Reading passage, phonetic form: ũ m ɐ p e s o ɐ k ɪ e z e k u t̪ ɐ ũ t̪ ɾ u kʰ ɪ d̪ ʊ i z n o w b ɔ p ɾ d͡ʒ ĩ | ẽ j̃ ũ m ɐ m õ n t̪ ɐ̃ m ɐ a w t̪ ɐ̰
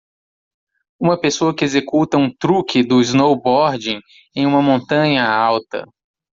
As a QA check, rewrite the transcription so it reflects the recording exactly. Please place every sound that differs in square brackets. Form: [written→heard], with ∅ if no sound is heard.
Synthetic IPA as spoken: ũ m ɐ p e s o ɐ k ɪ e z e k u t̪ ɐ ũ t̪ ɾ u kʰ ɪ d̪ ʊ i z n o w b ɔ [p→∅] ɾ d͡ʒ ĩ | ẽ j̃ ũ m ɐ m õ n t̪ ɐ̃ [m→ɲ] ɐ a w t̪ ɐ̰